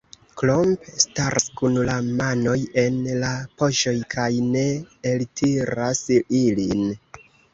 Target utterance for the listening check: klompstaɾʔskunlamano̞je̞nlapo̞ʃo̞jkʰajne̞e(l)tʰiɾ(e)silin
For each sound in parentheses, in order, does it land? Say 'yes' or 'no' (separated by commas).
yes, no